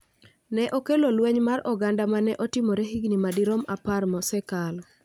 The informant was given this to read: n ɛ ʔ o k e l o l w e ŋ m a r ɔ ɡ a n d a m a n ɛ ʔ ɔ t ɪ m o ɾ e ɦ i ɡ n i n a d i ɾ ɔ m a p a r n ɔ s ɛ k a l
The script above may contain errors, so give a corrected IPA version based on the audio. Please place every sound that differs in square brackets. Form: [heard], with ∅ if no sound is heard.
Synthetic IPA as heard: n ɛ ʔ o k e l o l w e [ɲ] m a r ɔ ɡ a n d a m a n ɛ ʔ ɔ t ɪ m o ɾ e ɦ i ɡ n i [m] a d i ɾ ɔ m a p a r [m] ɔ s ɛ k a l